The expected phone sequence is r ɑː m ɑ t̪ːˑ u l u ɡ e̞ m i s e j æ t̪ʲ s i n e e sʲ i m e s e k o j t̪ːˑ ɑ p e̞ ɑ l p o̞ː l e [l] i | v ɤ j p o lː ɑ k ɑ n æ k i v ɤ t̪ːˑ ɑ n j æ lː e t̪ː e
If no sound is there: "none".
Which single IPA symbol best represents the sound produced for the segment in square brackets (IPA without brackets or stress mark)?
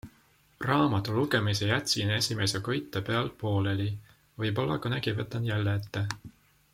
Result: l